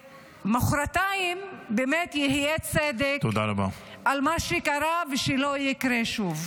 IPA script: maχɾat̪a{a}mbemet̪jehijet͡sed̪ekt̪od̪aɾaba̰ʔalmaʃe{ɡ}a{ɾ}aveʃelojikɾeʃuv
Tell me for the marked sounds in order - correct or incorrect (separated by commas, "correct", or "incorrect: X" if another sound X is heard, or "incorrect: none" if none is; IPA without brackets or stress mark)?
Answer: incorrect: i, incorrect: k, correct